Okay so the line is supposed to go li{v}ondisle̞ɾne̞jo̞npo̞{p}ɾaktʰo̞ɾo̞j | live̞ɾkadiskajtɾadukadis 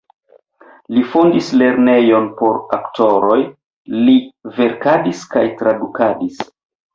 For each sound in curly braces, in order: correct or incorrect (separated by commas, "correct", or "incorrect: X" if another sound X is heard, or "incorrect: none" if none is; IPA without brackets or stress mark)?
incorrect: f, incorrect: none